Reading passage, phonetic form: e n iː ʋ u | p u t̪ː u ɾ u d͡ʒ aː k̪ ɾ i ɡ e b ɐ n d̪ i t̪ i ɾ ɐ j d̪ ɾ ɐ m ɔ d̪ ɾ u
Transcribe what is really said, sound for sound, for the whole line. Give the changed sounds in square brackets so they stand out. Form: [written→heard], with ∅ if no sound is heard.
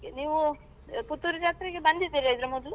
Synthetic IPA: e n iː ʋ u | p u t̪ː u ɾ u d͡ʒ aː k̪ ɾ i ɡ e b ɐ n d̪ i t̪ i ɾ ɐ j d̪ ɾ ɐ m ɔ d̪ [ɾ→l] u